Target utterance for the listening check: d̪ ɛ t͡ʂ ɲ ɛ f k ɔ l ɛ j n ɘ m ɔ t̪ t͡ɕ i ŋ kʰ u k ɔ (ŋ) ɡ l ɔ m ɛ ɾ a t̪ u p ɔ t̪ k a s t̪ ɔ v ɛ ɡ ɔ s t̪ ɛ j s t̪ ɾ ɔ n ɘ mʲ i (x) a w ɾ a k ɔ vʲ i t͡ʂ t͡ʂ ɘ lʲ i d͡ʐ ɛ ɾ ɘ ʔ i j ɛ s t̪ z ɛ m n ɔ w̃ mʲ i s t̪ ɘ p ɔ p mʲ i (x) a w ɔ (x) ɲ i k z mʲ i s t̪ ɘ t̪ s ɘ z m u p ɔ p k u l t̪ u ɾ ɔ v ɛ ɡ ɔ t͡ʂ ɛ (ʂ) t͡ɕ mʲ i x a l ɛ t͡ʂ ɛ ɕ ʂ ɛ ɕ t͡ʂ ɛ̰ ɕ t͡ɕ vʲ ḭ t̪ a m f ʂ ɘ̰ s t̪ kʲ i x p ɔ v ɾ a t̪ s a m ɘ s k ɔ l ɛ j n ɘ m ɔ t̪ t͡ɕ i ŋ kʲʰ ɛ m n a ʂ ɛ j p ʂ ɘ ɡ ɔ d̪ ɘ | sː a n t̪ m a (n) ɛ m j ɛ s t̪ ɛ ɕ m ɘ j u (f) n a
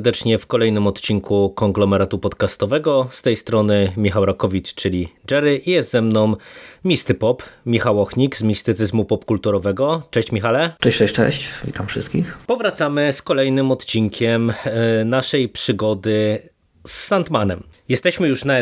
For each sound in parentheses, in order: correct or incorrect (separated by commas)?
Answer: correct, correct, correct, correct, incorrect, correct, incorrect